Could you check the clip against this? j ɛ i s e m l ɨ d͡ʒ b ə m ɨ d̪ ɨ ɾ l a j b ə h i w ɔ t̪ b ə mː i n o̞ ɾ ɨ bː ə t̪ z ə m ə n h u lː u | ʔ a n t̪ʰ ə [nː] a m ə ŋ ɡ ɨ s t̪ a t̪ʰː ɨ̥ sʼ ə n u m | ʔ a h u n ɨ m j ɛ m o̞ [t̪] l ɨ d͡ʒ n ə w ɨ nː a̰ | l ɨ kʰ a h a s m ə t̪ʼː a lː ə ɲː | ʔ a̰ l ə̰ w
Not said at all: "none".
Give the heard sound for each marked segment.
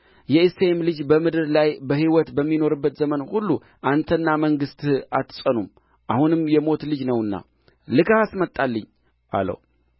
nː, t̪

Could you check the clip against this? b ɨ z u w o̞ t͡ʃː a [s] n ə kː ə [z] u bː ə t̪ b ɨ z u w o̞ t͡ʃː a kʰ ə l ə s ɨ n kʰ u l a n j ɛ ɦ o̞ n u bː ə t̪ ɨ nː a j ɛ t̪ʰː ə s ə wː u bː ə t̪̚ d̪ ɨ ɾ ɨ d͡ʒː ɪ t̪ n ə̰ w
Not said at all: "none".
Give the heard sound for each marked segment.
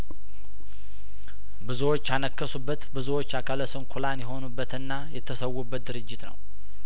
none, s

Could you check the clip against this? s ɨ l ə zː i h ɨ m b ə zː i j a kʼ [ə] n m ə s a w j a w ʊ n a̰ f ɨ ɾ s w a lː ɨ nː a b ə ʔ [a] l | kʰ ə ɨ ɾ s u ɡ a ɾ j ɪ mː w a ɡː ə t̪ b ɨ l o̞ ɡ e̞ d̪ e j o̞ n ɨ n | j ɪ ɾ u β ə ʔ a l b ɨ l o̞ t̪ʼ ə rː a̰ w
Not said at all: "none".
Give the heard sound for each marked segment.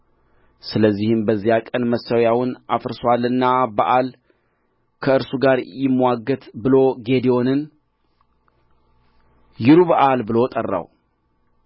ə, a

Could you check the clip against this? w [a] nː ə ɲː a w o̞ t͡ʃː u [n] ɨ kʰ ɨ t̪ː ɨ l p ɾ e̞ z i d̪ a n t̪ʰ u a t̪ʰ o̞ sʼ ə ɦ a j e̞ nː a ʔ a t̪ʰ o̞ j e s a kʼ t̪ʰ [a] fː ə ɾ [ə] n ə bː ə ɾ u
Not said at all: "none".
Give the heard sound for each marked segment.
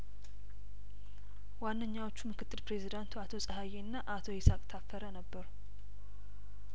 a, m, a, ə

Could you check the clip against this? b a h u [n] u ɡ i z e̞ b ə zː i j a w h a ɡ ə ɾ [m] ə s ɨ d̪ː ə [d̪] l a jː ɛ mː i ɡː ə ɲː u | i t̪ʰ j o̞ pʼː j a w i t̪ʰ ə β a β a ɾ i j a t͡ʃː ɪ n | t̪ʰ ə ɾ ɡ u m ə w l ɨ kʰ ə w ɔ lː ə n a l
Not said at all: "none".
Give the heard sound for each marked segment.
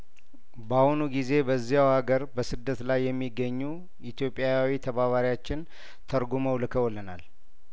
n, b, t̪

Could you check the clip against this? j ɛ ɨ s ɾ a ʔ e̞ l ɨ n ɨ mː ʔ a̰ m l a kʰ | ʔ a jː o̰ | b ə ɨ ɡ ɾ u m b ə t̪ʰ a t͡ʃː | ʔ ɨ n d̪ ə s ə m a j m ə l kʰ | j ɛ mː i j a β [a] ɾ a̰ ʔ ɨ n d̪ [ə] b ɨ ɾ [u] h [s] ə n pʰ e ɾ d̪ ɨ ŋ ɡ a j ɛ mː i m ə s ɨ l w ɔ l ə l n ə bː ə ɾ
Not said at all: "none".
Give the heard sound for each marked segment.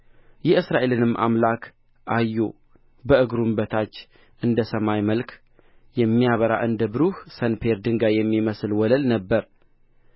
ə, ə, u, s

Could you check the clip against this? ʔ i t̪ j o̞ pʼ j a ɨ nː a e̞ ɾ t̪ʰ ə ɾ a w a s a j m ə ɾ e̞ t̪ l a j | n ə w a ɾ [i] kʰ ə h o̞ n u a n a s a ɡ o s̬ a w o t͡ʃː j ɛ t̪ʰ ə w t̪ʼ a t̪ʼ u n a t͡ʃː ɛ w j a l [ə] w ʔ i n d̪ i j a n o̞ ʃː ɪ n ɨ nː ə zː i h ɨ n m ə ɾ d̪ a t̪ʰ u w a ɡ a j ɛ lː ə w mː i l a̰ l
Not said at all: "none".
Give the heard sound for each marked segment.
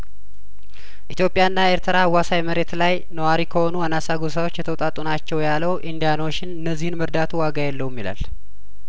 i, ə

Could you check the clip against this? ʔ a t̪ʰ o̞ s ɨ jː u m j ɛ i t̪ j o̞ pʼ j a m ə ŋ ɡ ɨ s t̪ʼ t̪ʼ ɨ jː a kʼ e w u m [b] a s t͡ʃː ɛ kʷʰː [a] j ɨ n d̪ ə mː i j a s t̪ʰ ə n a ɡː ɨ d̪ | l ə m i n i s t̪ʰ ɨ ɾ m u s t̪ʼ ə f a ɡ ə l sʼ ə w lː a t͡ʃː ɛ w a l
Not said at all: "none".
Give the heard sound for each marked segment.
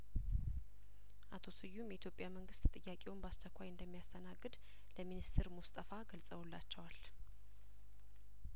b, a

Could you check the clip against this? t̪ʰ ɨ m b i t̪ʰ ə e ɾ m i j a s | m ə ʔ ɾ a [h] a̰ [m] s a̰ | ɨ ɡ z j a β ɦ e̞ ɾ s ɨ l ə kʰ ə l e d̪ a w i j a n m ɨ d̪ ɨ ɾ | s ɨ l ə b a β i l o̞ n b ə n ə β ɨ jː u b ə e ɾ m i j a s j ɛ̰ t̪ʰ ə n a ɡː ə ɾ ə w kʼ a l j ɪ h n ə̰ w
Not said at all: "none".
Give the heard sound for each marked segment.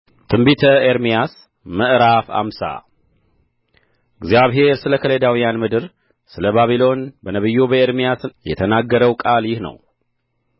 f, m

